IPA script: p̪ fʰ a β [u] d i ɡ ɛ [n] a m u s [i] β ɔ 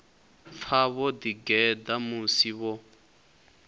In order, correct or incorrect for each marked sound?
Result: incorrect: ɔ, incorrect: d, correct

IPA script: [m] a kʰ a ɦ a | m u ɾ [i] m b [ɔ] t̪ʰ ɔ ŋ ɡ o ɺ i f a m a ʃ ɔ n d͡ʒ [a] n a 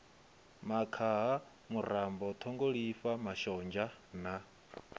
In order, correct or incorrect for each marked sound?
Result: correct, incorrect: a, correct, correct

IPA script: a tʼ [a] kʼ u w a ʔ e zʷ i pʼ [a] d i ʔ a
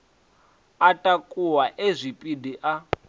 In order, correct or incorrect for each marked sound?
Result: correct, incorrect: i

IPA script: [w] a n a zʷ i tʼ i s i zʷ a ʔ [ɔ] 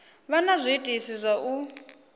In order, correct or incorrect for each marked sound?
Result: incorrect: β, incorrect: u

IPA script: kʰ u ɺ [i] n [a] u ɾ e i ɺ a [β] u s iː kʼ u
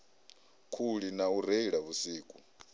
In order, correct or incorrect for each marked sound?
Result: correct, correct, correct

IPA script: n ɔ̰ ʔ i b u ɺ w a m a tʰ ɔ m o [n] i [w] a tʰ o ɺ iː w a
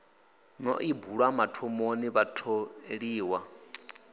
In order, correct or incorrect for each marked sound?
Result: correct, incorrect: β

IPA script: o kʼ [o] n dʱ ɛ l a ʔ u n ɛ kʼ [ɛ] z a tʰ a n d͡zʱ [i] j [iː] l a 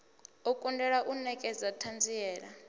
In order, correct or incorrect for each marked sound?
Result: incorrect: u, correct, correct, incorrect: ɛː

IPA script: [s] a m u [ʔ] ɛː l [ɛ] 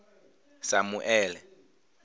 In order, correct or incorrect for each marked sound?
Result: correct, correct, correct

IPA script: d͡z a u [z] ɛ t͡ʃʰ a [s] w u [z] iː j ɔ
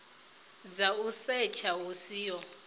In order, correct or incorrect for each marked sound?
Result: incorrect: s, incorrect: none, incorrect: s

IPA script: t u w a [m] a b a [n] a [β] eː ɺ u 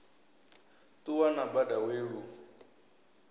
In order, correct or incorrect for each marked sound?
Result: incorrect: n, incorrect: d, incorrect: w

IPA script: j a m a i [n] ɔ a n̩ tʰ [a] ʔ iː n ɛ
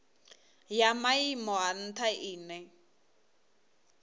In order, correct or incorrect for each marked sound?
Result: incorrect: m, correct

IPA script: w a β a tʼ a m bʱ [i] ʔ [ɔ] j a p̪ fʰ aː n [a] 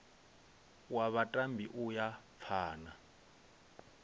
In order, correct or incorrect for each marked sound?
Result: correct, incorrect: u, correct

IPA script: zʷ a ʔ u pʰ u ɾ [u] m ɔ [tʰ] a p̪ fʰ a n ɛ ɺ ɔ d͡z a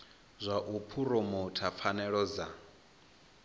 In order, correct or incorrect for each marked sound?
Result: incorrect: ɔ, correct

